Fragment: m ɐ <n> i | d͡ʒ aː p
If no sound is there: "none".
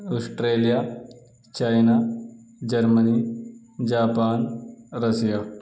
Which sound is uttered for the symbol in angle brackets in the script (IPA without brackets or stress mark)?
n